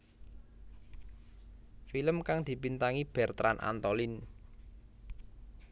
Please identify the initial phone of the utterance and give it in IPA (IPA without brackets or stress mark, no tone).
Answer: f